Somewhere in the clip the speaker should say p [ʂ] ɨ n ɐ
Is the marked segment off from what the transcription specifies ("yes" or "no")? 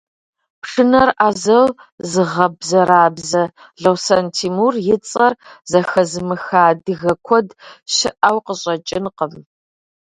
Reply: no